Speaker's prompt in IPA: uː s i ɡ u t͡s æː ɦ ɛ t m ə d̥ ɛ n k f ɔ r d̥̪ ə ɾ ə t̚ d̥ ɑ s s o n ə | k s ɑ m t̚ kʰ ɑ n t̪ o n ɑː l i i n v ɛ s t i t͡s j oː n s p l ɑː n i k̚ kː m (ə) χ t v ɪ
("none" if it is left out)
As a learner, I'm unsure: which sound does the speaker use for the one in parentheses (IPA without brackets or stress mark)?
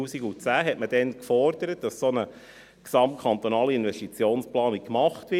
ɑ